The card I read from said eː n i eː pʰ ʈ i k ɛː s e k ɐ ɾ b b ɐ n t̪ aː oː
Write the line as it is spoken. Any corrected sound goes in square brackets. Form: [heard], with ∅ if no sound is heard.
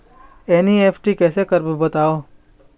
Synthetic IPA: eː n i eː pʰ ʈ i k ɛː s e k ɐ ɾ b b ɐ [∅] t̪ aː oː